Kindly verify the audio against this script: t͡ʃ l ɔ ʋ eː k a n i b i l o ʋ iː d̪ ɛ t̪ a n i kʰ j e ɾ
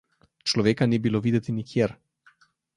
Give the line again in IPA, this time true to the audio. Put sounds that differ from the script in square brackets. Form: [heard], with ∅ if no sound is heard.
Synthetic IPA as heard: t͡ʃ l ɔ ʋ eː k a n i b i l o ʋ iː d̪ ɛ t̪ [i] n i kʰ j e ɾ